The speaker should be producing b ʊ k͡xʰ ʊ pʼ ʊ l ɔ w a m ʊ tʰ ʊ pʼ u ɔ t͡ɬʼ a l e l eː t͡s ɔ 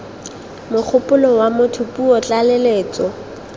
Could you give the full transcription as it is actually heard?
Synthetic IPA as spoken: m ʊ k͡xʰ ʊ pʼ ʊ l ɔ w a m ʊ tʰ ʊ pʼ u ɔ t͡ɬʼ a l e l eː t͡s ɔ